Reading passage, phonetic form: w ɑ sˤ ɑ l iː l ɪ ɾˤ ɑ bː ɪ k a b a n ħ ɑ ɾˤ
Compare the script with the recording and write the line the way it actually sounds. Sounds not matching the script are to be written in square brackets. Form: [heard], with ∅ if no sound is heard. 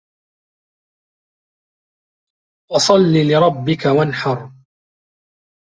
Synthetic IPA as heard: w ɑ sˤ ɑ [lː] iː l ɪ ɾˤ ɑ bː ɪ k a [w] a n ħ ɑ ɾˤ